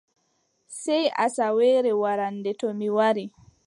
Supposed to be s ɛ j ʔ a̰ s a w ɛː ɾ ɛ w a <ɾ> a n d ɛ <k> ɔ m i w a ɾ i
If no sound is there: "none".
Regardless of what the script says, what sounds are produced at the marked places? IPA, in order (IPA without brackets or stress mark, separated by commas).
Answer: ɾ, t